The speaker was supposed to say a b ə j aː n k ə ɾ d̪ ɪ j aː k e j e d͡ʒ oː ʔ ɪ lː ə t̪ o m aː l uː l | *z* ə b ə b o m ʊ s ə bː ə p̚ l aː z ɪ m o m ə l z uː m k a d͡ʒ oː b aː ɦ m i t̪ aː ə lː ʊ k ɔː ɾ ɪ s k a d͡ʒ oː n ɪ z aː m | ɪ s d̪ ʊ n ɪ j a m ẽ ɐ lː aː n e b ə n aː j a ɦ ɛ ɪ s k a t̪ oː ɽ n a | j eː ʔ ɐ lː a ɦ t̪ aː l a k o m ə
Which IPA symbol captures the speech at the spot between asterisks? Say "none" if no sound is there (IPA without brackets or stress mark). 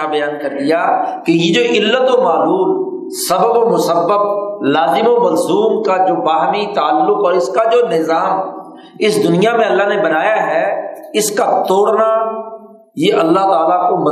s